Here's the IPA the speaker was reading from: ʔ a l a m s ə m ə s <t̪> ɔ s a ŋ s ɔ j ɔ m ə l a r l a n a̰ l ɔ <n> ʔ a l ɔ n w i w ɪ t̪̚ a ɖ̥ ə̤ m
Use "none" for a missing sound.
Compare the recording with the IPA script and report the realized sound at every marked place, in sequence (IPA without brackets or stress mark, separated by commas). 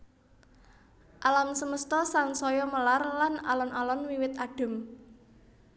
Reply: t̪, n